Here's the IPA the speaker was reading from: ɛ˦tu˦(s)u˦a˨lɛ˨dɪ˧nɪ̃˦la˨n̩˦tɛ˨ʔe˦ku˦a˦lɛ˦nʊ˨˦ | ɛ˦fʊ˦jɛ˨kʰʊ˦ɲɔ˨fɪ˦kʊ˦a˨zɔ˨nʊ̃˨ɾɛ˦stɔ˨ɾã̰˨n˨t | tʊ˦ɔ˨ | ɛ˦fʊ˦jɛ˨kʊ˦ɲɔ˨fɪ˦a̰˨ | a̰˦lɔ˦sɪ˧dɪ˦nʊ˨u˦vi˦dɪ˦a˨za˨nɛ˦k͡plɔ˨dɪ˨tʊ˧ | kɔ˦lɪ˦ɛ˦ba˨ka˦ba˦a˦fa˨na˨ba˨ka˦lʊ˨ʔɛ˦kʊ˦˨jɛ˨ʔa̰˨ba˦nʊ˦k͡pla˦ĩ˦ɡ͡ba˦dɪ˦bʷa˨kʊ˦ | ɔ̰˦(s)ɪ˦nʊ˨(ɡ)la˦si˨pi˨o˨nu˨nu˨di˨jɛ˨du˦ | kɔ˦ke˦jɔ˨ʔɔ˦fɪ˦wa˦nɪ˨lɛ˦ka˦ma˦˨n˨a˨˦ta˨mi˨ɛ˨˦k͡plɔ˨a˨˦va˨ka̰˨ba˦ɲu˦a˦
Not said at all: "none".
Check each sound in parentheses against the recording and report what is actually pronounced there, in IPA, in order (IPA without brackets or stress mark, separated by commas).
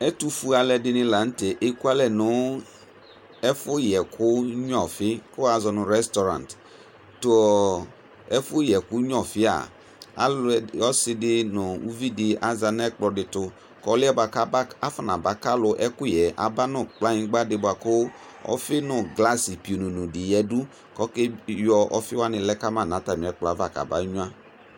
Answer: f, f, ɡ